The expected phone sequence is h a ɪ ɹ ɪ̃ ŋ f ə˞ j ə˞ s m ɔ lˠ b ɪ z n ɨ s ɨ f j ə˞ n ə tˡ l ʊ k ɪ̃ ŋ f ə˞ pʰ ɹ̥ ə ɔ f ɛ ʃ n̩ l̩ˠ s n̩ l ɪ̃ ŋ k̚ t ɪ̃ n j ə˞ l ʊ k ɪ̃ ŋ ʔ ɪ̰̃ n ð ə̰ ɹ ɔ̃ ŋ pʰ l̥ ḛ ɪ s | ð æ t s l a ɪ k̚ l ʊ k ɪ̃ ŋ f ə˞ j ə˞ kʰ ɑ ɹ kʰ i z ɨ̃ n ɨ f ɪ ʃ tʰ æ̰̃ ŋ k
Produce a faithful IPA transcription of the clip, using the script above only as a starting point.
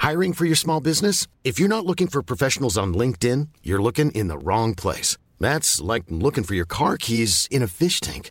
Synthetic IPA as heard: h a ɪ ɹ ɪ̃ ŋ f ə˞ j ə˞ s m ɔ lˠ b ɪ z n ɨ s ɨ f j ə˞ n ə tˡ l ʊ k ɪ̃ ŋ f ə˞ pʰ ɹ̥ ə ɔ f ɛ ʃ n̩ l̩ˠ z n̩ l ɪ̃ ŋ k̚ t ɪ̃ n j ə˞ l ʊ k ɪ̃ ŋ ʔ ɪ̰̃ n ð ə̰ ɹ ɔ̃ ŋ pʰ l̥ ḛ ɪ s | ð æ t s l a ɪ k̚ l ʊ k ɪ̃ ŋ f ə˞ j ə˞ kʰ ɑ ɹ kʰ i z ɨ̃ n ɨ f ɪ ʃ tʰ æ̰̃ ŋ k